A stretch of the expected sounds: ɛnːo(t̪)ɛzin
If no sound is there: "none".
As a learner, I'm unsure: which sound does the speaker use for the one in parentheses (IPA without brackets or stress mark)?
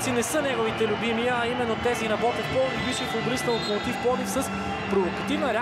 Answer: t̪